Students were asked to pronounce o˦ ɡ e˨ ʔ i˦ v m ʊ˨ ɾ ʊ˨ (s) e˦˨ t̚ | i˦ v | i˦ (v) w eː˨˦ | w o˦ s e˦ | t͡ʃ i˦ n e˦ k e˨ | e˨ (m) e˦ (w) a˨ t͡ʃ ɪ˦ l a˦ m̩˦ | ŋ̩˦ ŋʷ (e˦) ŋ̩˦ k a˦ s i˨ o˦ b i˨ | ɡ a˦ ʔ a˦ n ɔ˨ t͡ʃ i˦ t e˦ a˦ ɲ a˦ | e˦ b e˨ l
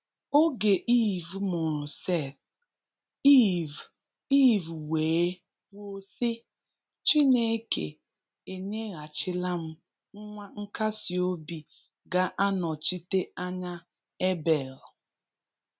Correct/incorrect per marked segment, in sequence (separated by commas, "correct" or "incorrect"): correct, correct, incorrect, incorrect, incorrect